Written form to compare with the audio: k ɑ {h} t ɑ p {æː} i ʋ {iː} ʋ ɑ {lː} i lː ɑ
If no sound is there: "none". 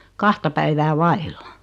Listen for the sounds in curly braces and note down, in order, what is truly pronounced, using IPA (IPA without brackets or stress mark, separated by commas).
h, æ, æː, none